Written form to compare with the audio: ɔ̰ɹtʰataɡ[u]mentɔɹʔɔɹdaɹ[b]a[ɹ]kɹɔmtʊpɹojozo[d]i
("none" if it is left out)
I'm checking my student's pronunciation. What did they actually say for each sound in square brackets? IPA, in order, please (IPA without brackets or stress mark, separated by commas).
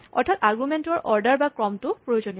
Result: u, b, none, n